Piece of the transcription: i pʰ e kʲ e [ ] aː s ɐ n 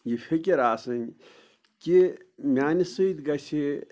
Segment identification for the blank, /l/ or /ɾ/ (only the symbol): ɾ